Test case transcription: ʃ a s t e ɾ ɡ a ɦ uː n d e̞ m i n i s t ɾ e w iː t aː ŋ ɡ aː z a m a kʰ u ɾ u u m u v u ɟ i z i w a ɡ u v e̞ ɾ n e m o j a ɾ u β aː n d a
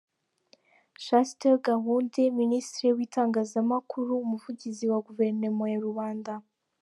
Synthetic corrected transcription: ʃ a s t e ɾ ɡ a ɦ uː n d e̞ m i n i s t ɾ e w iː t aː ŋ ɡ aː z a m a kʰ u ɾ u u m u v u ɟ i z i w a ɡ u v e̞ ɾ n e m o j a ɾ u β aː n d a

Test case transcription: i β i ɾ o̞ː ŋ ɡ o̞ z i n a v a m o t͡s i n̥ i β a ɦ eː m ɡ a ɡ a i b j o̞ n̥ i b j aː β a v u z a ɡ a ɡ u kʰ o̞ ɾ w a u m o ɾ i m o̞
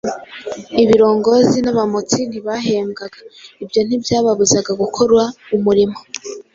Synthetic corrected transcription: i β i ɾ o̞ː ŋ ɡ o̞ z i n a β a m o t͡s i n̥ i β a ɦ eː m ɡ a ɡ a i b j o̞ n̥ i b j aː β a β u z a ɡ a ɡ u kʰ o̞ ɾ w a u m u ɾ i m o̞

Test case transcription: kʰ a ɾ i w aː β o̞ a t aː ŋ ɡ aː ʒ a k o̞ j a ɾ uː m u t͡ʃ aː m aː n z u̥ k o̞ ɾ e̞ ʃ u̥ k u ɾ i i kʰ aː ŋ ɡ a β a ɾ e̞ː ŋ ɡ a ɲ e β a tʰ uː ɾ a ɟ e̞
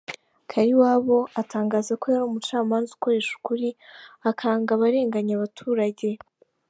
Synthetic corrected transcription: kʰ a ɾ i w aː β o̞ a t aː ŋ ɡ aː z a k o̞ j a ɾ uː m u t͡ʃ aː m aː n z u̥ k o̞ ɾ e̞ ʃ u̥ k u ɾ i a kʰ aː ŋ ɡ a β a ɾ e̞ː ŋ ɡ a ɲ a β a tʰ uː ɾ a ɟ e̞

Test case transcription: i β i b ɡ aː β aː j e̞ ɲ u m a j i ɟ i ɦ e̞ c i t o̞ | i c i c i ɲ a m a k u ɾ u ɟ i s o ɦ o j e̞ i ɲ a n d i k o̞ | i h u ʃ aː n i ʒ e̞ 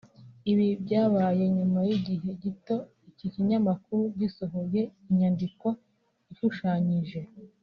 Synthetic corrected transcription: i β i b ɟ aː β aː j e̞ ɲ u m a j i ɟ i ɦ e̞ ɟ i t o̞ | i c i c i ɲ a m a k u ɾ u ɟ i s o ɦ o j e̞ i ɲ a n d i k o̞ | i ʃ u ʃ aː ɲ i ʒ e̞

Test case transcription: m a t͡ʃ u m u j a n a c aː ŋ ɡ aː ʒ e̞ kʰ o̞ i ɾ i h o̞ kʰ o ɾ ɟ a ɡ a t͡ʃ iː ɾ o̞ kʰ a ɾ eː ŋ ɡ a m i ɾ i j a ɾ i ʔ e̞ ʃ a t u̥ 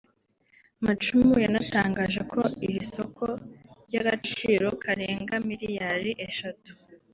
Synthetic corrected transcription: m a t͡ʃ u m u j a n a t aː ŋ ɡ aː ʒ e̞ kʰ o̞ i ɾ i s o̞ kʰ o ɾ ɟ a ɡ a t͡ʃ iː ɾ o̞ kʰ a ɾ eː ŋ ɡ a m i ɾ i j a ɾ i ʔ e̞ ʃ a t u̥

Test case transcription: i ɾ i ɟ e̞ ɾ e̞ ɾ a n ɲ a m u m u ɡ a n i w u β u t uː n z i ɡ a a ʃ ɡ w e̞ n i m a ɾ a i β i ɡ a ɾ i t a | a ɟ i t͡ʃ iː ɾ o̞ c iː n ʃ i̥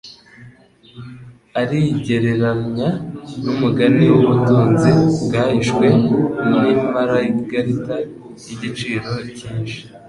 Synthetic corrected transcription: a ɾ i ɟ e̞ ɾ e̞ ɾ a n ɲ a n u m u ɡ a n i w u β u t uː n z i ɡ a i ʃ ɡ w e̞ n i m a ɾ a i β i ɡ a ɾ i t a | i ɟ i t͡ʃ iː ɾ o̞ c iː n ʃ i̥

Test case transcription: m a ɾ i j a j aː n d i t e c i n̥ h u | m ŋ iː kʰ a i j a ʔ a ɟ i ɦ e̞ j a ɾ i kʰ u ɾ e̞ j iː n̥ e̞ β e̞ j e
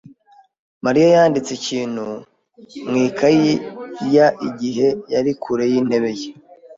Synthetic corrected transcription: m a ɾ i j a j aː n d i t͡s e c iː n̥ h u | m ŋ iː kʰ a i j a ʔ i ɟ i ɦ e̞ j a ɾ i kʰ u ɾ e̞ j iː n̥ e̞ β e̞ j e

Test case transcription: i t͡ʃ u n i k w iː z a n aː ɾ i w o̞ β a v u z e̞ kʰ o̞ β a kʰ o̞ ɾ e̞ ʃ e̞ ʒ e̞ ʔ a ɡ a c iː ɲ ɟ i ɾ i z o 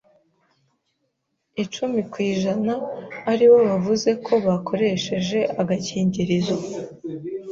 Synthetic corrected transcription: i t͡ʃ u m i k w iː ʒ a n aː ɾ i w o̞ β a v u z e̞ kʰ o̞ β a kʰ o̞ ɾ e̞ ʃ e̞ ʒ e̞ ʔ a ɡ a c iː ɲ ɟ i ɾ i z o

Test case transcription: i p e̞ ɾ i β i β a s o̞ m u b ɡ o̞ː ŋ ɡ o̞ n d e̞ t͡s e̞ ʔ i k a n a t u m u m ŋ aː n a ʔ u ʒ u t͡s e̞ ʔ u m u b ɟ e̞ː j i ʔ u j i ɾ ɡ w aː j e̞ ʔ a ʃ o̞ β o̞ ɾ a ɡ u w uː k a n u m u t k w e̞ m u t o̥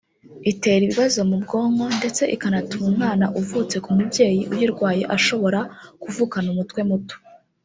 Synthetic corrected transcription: i t e̞ ɾ i β i β a z o̞ m u b ɡ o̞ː ŋ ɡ o̞ n d e̞ t͡s e̞ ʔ i k a n a t u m u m ŋ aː n a ʔ u v u t͡s e̞ k u m u b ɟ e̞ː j i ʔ u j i ɾ ɡ w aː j e̞ ʔ a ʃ o̞ β o̞ ɾ a k u v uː k a n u m u t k w e̞ m u t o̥

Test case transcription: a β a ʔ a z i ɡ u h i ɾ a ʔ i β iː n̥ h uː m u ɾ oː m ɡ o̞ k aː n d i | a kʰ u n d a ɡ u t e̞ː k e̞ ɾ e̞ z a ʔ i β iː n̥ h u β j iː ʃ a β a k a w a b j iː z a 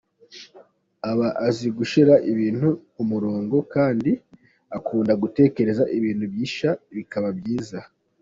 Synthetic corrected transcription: a β a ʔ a z i ɡ u ʃ i ɾ a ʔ i β iː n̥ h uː m u ɾ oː ŋ ɡ o̞ k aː n d i | a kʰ uː n d a ɡ u t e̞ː k e̞ ɾ e̞ z a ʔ i β iː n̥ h u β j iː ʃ a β i k a β a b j iː z a

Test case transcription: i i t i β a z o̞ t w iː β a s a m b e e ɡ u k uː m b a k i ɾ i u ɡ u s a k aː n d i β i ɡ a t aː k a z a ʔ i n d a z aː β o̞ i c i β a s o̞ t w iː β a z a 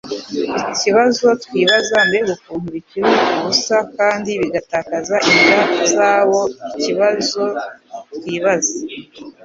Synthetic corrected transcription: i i c i β a z o̞ t w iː β a z a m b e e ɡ u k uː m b i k i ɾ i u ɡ u s a k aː n d i β i ɡ a t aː k a z a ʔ i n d a z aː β o̞ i c i β a z o̞ t w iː β a z a

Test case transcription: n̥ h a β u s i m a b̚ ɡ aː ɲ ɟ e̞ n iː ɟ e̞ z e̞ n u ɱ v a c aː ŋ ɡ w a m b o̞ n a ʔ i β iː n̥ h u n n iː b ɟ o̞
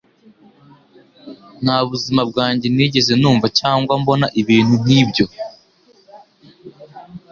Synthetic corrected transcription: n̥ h a β u z i m a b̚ ɡ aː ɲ ɟ e̞ n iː ɟ e̞ z e̞ n uː ɱ v a c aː ŋ ɡ w a m b o̞ n a ʔ i β iː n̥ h u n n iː b ɟ o̞

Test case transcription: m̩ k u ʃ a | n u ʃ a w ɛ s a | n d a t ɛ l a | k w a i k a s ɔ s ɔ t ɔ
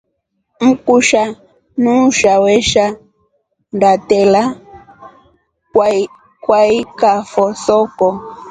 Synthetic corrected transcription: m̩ k u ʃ a | n u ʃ a w ɛ ʃ a | n d a t ɛ l a | k w a i k a f ɔ s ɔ k ɔ

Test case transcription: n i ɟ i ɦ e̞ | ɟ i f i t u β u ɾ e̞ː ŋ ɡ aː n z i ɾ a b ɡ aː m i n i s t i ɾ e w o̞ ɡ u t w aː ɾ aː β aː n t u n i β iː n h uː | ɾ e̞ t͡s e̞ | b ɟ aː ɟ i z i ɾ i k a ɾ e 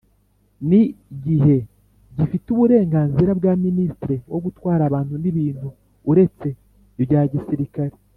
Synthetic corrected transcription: n i ɟ i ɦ e̞ | ɟ i f i t u β u ɾ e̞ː ŋ ɡ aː n z i ɾ a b ɡ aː m i n i s t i ɾ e w o̞ ɡ u t w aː ɾ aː β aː n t u n i β iː n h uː | ɾ e̞ t͡s e̞ | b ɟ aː ɟ i s i ɾ i k a ɾ e

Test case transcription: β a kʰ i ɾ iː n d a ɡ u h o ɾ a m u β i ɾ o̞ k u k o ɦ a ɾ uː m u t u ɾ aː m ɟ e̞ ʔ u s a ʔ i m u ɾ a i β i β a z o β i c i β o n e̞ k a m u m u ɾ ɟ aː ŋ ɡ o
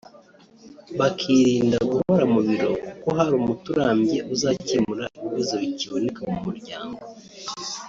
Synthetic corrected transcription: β a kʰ i ɾ iː n d a ɡ u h o ɾ a m u β i ɾ o̞ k u k o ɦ a ɾ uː m u t u ɾ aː m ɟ e̞ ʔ u z a c i m u ɾ a i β i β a z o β i c i β o n e̞ k a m u m u ɾ ɟ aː ŋ ɡ o

